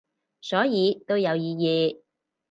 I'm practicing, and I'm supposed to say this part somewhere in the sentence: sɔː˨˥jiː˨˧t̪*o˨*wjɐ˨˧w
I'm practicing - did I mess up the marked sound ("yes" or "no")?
yes